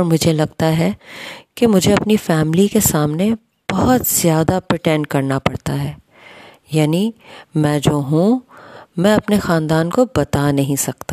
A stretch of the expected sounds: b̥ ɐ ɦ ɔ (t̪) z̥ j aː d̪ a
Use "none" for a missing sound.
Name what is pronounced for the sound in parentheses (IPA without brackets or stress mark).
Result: t̪